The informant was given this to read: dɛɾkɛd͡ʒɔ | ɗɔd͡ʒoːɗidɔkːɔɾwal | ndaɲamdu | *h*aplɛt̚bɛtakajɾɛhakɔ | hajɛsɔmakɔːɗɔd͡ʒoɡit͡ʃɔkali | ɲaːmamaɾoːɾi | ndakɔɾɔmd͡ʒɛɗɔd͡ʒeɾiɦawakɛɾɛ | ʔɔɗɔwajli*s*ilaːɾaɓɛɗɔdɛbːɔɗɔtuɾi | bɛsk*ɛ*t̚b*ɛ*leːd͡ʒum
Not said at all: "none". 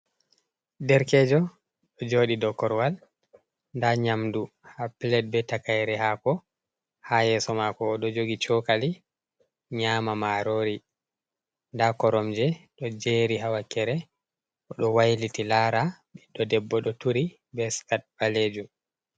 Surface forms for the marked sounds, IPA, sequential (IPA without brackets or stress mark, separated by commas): h, t, a, a